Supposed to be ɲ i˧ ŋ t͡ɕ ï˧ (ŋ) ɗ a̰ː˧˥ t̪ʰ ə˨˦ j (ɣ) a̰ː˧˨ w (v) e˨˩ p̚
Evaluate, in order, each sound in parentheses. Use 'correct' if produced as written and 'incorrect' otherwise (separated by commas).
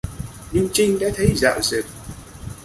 correct, incorrect, incorrect